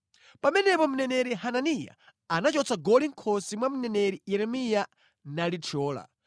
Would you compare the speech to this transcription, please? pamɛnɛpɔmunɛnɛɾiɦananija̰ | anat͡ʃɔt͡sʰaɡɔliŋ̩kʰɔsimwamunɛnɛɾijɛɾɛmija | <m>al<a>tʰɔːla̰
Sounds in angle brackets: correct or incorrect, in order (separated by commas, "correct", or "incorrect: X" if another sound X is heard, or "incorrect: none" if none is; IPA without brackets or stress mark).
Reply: incorrect: n, incorrect: i